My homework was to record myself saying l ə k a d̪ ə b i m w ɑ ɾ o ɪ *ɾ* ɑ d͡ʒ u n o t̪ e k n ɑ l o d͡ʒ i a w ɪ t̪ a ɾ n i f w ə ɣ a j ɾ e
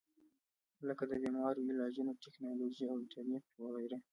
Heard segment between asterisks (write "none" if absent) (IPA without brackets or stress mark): l